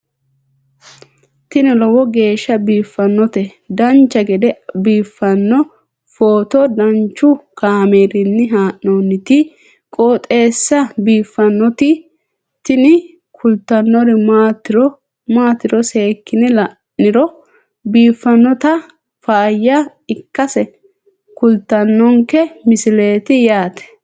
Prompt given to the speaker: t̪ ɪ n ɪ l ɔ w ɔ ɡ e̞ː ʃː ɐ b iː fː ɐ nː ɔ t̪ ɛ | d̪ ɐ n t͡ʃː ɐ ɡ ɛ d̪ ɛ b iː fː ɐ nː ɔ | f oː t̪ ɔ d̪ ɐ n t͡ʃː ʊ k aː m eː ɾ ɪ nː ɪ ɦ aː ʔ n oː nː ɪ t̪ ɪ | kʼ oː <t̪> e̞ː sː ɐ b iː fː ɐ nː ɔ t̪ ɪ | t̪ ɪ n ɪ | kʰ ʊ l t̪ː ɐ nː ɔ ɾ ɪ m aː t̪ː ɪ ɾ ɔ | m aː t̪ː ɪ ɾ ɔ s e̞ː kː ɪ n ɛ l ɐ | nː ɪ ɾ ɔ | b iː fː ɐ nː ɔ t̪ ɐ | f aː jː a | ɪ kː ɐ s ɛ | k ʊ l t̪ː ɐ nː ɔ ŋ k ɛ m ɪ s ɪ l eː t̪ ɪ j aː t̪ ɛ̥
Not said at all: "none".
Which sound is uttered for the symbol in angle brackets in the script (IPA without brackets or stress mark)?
t̪ʼ